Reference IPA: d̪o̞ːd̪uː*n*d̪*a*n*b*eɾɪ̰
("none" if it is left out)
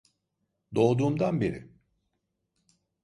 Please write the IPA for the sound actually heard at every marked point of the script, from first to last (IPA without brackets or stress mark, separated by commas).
m, a, b